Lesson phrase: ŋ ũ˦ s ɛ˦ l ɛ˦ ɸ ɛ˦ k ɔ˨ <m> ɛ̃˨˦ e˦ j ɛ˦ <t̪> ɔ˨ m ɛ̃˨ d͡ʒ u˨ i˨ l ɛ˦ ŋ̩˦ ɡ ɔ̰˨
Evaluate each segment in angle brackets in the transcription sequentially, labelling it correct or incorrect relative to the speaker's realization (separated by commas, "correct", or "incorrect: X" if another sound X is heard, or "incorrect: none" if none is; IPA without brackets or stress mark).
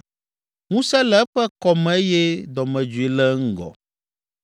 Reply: correct, incorrect: d̪